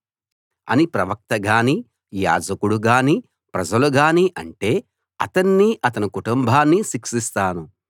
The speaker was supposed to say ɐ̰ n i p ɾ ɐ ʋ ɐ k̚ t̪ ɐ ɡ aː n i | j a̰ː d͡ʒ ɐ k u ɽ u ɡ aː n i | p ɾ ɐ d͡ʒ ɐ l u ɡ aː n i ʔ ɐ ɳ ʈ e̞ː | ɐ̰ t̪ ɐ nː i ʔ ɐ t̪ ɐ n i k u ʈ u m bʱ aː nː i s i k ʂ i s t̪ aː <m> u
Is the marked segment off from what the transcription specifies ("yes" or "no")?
yes